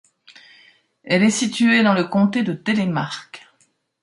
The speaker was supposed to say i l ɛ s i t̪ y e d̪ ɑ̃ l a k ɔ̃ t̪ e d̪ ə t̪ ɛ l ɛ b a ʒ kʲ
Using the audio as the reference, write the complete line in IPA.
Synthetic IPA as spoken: ɛ l ɛ s i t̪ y e d̪ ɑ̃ l ə k ɔ̃ t̪ e d̪ ə t̪ e l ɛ m a ʁ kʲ